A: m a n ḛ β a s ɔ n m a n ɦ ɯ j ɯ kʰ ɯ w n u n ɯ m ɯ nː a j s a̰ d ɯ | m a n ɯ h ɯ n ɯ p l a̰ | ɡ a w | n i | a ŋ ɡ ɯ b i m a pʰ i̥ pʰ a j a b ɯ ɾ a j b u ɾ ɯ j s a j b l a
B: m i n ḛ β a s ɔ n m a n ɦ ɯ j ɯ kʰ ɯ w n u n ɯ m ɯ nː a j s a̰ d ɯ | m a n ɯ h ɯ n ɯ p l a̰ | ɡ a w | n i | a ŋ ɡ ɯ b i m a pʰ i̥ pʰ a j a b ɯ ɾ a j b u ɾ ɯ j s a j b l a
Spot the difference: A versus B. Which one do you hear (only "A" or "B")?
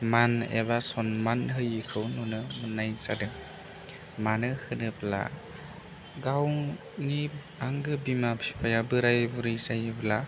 A